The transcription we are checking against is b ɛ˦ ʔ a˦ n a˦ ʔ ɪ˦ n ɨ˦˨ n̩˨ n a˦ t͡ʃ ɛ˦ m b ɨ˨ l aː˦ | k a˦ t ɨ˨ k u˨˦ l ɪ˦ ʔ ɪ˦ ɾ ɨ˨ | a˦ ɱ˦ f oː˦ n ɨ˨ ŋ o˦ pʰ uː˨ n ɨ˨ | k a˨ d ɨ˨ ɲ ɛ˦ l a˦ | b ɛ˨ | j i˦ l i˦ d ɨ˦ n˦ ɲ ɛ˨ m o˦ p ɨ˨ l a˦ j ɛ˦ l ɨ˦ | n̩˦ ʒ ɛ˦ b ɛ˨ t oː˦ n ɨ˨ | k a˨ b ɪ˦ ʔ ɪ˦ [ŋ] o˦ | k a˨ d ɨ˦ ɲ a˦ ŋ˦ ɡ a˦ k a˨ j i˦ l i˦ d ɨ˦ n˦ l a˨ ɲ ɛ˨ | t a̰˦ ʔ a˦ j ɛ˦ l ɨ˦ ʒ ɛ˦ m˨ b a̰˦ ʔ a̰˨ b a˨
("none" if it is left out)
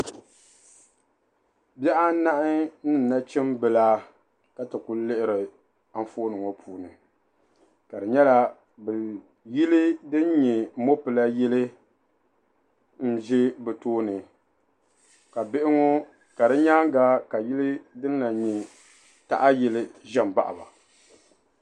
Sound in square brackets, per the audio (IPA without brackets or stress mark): ŋ